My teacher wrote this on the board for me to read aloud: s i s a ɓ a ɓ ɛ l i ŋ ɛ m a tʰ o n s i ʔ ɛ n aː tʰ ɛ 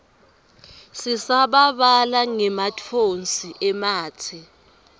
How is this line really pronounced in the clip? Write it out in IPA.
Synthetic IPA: s i s a ɓ a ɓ a l a ŋ ɛ m a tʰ o n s i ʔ ɛ m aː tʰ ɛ